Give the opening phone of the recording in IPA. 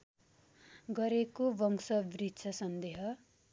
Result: ɡ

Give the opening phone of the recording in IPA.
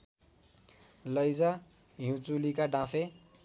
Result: l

